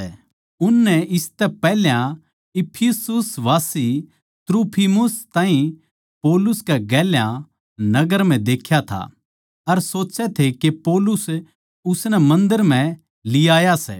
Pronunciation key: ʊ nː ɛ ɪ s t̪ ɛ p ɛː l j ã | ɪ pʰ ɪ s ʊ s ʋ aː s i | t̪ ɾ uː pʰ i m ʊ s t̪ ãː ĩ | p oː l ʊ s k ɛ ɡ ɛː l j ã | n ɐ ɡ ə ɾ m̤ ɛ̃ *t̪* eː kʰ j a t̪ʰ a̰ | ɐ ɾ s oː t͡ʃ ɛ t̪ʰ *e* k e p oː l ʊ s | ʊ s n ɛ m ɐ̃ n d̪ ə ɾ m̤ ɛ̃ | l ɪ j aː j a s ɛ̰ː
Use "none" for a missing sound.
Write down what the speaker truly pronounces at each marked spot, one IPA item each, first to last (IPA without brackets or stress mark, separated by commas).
d̪, e